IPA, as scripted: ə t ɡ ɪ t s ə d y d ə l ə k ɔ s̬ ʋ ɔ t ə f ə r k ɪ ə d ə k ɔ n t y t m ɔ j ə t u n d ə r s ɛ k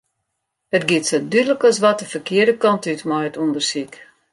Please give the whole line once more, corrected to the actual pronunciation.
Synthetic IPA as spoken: ə t ɡ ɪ t s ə d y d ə l ə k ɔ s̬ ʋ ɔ t ə f ə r k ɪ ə d ə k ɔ n t y t m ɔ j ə t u n d ə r s i k